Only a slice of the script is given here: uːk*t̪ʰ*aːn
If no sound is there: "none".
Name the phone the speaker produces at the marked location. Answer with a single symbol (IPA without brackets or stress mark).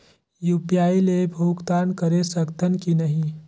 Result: t̪